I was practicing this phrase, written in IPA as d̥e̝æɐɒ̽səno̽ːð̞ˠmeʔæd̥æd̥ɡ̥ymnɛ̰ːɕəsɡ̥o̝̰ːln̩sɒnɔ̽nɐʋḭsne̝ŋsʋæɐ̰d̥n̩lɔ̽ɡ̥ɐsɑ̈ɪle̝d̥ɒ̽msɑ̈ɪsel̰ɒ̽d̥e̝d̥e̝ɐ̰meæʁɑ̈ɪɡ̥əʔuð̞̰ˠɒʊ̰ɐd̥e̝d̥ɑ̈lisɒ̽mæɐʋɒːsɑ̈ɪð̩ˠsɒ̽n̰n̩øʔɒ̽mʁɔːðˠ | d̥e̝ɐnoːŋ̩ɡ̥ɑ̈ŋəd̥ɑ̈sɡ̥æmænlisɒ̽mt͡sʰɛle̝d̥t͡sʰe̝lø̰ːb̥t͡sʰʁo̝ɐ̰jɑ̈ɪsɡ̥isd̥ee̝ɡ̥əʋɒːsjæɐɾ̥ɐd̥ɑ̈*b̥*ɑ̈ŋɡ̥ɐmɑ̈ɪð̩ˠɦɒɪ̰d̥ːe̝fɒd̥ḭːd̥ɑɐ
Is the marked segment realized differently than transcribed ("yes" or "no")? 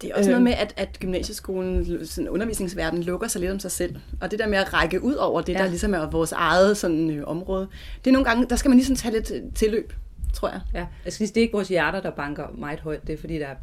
no